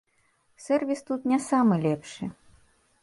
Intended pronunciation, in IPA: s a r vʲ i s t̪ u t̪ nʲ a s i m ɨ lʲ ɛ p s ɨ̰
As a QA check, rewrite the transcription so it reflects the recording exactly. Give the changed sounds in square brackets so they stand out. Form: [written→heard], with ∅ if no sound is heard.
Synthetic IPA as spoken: s [a→ɛ] r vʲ i s t̪ u t̪ nʲ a s [i→a] m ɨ lʲ ɛ p [s→ʂ] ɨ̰